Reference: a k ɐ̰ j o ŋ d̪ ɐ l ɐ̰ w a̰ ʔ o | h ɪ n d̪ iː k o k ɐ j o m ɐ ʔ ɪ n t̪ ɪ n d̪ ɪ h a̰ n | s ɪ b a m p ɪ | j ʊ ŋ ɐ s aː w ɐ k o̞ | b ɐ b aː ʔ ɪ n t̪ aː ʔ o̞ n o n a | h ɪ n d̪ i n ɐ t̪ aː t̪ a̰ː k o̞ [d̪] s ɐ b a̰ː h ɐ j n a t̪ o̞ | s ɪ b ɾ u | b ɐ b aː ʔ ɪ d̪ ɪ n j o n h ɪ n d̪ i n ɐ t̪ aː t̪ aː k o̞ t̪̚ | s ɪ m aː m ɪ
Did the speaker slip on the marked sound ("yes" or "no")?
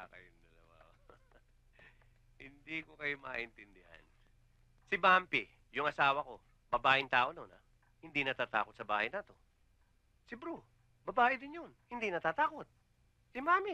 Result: yes